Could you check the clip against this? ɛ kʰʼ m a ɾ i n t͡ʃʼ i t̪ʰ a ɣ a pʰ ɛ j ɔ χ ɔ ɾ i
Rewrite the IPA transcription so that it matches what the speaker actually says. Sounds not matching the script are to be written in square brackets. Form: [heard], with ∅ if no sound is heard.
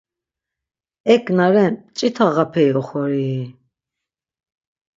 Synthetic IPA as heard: ɛ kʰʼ [n] a ɾ [ɛ] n t͡ʃʼ i t̪ʰ a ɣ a pʰ ɛ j ɔ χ ɔ ɾ i